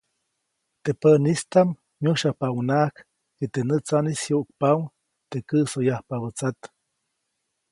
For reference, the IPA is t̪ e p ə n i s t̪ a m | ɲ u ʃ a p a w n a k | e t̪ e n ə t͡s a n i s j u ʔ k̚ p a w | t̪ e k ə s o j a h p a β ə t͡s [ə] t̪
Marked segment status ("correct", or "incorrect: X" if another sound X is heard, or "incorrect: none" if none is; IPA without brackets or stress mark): incorrect: a